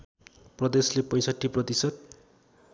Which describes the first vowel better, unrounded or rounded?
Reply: unrounded